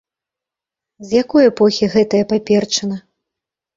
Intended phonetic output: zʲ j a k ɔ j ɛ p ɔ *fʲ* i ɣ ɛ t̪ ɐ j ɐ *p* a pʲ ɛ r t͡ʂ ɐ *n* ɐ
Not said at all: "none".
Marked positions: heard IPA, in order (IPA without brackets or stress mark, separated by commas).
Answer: xʲ, p, n